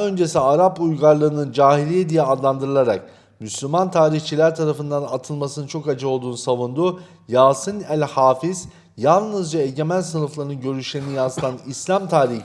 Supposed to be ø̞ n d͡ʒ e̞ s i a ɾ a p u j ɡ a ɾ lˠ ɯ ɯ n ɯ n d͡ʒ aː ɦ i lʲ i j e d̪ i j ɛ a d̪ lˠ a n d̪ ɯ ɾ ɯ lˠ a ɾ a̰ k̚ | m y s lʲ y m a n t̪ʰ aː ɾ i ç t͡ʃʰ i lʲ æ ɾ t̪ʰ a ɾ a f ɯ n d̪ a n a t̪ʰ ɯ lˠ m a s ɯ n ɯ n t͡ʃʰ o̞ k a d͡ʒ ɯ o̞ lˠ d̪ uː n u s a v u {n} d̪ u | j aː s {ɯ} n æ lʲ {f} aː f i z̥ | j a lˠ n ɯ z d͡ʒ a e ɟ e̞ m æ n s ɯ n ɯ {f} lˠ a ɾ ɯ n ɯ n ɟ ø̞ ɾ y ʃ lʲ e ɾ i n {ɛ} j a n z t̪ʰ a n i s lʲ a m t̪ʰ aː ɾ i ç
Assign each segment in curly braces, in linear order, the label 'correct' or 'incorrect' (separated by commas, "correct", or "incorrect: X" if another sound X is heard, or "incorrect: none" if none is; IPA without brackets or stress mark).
correct, correct, incorrect: h, correct, incorrect: i